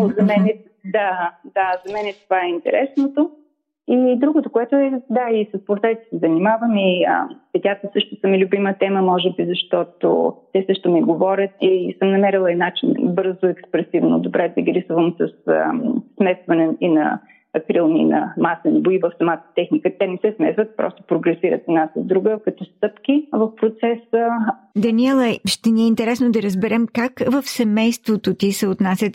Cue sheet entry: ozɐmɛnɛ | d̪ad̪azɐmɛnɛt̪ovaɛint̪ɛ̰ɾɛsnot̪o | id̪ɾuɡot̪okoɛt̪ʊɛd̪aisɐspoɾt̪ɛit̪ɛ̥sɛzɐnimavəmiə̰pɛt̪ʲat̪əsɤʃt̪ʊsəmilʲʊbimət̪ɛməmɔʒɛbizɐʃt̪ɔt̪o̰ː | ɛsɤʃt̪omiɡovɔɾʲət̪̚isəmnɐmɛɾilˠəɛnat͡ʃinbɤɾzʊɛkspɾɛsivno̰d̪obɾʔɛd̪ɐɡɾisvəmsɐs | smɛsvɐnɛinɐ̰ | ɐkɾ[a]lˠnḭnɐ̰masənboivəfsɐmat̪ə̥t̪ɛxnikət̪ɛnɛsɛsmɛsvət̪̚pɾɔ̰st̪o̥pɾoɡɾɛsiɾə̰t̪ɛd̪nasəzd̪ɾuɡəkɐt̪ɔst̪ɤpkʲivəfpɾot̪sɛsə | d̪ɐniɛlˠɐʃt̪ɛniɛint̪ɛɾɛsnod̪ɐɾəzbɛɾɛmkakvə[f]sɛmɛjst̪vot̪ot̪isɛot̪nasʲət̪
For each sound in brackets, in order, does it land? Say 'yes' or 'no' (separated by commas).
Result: no, yes